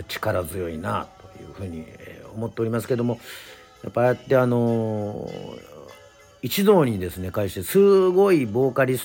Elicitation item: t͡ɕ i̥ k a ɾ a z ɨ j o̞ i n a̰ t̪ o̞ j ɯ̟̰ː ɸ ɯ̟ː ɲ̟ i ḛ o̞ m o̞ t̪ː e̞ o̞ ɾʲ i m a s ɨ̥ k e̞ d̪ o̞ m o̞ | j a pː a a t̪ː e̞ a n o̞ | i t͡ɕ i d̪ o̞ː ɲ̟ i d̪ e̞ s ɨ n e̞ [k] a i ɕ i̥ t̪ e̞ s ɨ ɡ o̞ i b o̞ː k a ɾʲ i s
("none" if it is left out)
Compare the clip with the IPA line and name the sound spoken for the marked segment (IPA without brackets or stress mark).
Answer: k